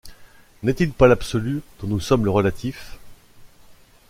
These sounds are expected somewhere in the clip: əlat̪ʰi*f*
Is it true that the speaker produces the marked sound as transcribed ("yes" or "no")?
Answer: yes